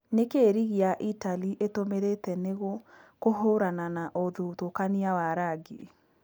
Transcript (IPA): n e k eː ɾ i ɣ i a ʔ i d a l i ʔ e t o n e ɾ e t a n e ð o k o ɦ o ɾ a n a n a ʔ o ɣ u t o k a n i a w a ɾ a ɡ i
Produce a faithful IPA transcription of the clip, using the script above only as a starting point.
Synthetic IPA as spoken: n e k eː ɾ i ɣ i a ʔ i t a l i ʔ e t o m e ɾ e t ɛ n e ɣ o k o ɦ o ɾ a n a n a ʔ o ð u t o k a n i a w a ɾ a ɡ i